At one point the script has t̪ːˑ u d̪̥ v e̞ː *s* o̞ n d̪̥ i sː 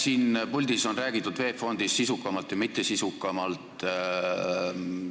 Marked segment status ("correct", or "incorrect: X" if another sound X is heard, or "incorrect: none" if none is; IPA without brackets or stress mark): incorrect: f